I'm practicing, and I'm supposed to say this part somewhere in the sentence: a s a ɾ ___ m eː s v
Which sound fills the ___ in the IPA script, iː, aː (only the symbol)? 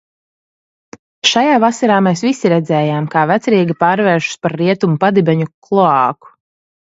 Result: aː